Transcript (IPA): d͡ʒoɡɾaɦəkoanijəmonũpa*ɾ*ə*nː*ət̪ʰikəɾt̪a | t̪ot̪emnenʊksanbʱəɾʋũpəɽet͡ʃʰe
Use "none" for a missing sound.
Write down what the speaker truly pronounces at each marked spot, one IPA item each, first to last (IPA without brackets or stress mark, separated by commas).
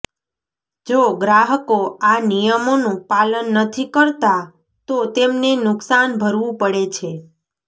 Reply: l, nː